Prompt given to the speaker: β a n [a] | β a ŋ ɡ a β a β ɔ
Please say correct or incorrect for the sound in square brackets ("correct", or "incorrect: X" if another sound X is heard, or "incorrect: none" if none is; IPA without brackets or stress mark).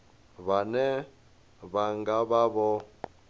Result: incorrect: ɛ